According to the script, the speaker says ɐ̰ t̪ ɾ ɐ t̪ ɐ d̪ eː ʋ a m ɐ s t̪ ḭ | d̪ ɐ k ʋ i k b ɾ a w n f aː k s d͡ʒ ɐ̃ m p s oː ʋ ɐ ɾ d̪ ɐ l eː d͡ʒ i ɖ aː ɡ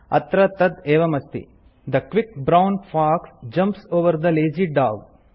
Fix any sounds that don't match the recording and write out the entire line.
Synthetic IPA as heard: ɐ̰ t̪ ɾ ɐ t̪ ɐ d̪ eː ʋ ɐ m ɐ s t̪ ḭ | d̪ ɐ k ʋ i k b ɾ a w n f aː k s d͡ʒ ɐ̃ m p s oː ʋ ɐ ɾ d̪ ɐ l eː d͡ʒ i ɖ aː ɡ